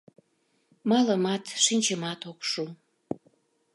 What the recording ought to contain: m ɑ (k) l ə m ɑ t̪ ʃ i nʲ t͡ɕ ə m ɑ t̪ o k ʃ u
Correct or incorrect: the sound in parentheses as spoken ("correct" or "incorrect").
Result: incorrect